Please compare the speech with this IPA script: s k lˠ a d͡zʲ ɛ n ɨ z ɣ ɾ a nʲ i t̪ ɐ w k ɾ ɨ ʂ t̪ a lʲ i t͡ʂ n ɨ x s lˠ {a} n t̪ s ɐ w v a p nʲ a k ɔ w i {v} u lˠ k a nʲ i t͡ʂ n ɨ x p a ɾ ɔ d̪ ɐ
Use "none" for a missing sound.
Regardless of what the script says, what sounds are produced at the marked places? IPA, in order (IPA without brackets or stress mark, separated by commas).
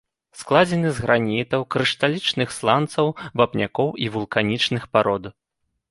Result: a, v